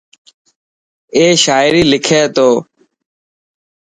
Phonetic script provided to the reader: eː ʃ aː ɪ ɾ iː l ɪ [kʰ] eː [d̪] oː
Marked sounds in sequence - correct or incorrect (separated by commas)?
correct, incorrect